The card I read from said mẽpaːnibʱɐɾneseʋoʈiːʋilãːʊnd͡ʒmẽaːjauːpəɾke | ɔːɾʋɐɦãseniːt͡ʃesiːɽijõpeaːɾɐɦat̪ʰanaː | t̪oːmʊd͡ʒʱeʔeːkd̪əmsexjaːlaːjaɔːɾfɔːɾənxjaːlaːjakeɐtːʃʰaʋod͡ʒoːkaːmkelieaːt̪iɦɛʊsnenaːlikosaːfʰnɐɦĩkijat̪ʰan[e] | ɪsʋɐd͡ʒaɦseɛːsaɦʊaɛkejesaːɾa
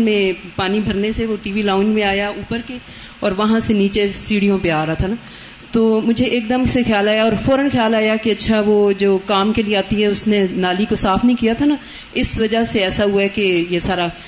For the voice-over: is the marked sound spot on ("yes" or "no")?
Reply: no